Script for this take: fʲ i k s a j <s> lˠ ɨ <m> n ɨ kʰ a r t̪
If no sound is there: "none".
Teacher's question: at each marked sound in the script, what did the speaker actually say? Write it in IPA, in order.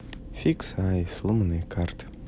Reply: s, m

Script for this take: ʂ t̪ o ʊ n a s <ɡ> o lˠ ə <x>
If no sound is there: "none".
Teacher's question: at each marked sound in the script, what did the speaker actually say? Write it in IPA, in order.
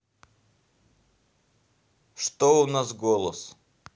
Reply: ɡ, s

